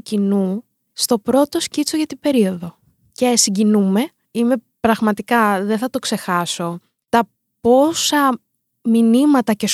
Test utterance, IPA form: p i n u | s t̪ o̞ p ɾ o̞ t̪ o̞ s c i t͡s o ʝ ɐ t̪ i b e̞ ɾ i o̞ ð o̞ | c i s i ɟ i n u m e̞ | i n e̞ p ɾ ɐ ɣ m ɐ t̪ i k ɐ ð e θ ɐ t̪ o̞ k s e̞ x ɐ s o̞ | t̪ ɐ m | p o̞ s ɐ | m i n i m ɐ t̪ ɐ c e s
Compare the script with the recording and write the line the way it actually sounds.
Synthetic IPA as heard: c i n u | s t̪ o̞ p ɾ o̞ t̪ o̞ s c i t͡s o ʝ ɐ t̪ i b e̞ ɾ i o̞ ð o̞ | c e s i ɟ i n u m e̞ | i m e̞ p ɾ ɐ ɣ m ɐ t̪ i k ɐ ð e θ ɐ t̪ o̞ k s e̞ x ɐ s o̞ | t̪ ɐ | p o̞ s ɐ | m i n i m ɐ t̪ ɐ c e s